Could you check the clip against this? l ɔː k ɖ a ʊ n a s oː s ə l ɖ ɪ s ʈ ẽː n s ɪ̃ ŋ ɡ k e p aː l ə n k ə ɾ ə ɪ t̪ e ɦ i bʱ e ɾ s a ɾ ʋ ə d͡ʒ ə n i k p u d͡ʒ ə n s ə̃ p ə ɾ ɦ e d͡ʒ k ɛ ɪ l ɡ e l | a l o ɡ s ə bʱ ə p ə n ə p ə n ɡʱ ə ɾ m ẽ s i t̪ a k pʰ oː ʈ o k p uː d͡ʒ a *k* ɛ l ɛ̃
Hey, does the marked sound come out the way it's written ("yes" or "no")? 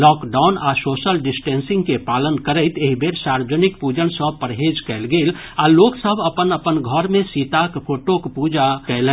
yes